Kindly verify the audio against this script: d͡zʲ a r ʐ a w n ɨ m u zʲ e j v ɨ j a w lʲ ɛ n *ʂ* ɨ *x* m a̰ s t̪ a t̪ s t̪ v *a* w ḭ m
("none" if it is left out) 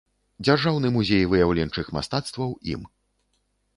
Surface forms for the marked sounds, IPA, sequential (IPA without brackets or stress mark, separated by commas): t͡ʂ, x, ɐ